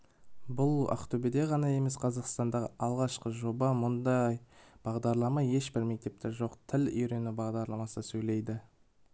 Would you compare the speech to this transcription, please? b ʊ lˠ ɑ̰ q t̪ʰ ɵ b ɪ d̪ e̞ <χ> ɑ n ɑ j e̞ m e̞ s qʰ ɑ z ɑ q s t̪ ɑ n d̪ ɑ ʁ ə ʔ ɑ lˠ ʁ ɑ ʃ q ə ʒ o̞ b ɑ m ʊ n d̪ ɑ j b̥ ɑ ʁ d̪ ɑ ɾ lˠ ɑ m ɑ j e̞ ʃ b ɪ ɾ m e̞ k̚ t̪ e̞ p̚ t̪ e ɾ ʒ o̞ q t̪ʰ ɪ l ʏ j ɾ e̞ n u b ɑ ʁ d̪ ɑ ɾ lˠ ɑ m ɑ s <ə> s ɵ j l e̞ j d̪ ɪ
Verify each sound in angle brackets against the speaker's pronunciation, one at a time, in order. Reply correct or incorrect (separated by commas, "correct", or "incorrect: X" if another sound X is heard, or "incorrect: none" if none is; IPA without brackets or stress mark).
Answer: incorrect: ʁ, correct